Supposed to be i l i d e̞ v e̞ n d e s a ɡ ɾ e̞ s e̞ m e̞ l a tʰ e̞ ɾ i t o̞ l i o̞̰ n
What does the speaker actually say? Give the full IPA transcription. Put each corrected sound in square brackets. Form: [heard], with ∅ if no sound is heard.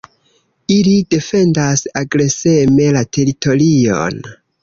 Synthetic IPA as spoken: i l i d e̞ [f] e̞ n d [a] s a ɡ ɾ e̞ s e̞ m e̞ l a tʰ e̞ ɾ i t o̞ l i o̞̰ n